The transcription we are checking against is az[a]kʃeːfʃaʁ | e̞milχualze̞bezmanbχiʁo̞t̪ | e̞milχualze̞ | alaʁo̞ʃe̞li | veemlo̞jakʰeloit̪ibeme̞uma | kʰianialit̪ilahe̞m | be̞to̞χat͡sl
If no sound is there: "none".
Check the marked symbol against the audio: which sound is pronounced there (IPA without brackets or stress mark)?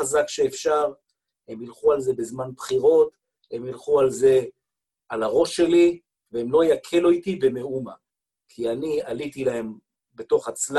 a